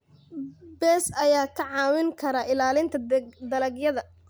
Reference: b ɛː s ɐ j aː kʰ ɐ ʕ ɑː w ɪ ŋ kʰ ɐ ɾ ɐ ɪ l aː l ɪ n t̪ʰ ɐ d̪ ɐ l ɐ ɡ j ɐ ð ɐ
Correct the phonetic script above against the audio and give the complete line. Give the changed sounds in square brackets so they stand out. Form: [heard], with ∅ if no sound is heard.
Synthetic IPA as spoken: b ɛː s ɐ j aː kʰ ɐ ʕ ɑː w ɪ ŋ kʰ ɐ ɾ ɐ ɪ l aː l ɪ n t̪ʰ ɐ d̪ ɐ l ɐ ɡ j ɐ ð ɐ